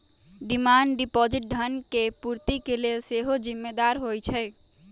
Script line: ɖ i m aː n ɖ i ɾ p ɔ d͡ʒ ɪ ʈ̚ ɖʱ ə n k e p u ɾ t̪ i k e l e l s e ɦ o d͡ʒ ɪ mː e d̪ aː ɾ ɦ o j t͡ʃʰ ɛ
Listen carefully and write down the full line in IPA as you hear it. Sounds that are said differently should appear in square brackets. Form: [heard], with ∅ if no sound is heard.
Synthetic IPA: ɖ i m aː n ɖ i [∅] p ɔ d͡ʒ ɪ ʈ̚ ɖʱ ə n k e p u ɾ t̪ i k e l e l s e ɦ o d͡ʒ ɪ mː e d̪ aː ɾ ɦ o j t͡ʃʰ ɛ